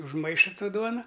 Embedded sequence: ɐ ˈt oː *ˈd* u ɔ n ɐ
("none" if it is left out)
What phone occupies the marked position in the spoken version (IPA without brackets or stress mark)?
d